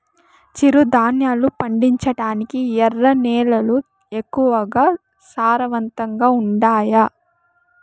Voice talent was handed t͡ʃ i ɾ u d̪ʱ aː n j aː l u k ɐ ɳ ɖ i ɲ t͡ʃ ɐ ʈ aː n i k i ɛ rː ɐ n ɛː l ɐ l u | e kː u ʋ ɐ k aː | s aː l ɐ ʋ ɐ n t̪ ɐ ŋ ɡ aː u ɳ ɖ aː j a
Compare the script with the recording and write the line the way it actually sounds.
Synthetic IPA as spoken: t͡ʃ i ɾ u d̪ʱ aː n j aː l u p ɐ ɳ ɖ i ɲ t͡ʃ ɐ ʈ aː n i k i ɛ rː ɐ n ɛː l ɐ l u | e kː u ʋ ɐ ɡ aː | s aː ɾ ɐ ʋ ɐ n t̪ ɐ ŋ ɡ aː u ɳ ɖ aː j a